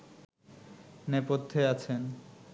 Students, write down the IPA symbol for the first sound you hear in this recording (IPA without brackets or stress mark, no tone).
n